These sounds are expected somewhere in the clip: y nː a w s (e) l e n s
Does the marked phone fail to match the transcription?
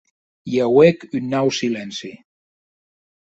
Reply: yes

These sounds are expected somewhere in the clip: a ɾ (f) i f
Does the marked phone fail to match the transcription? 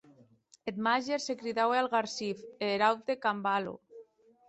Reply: yes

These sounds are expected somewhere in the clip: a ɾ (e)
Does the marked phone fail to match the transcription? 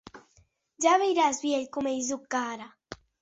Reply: yes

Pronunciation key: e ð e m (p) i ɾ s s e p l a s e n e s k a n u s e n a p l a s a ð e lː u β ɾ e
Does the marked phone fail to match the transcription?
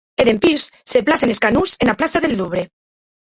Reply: no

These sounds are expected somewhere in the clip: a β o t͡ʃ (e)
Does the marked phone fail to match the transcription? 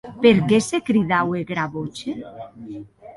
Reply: no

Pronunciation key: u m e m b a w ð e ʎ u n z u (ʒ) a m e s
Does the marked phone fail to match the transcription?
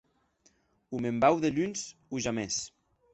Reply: no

